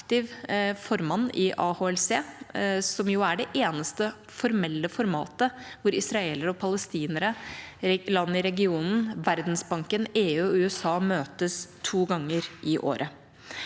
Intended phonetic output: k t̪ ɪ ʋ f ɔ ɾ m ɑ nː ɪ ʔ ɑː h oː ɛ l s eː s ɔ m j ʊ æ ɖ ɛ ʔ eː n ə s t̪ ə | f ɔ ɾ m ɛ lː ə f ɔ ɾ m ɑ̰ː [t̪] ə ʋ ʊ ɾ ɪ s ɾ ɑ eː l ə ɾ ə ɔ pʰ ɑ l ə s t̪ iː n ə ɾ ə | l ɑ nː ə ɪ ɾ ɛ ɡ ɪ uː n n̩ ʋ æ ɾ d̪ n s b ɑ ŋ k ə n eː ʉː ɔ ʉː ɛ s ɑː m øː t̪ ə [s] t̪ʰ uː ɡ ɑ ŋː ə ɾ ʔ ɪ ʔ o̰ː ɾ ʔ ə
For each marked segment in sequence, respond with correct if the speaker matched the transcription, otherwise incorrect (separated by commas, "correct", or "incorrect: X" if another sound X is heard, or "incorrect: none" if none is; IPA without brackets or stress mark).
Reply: correct, correct